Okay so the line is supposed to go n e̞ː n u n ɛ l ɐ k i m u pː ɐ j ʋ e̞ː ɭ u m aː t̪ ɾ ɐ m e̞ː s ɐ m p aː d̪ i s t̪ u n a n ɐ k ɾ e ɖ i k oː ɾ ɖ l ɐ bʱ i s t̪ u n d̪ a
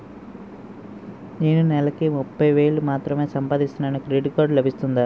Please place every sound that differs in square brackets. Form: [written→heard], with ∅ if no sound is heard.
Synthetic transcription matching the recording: n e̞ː n u n ɛ l ɐ k i m u pː ɐ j ʋ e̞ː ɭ u m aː t̪ ɾ ɐ m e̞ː s ɐ m p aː d̪ i s t̪ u n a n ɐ k ɾ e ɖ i k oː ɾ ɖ l ɐ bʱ i s t̪ u n d̪ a